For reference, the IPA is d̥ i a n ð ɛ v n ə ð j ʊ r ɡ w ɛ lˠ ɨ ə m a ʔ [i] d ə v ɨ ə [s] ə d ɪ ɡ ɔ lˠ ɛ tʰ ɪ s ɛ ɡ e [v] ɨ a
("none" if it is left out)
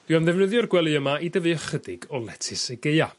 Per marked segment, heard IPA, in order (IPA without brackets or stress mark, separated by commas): i, χ, none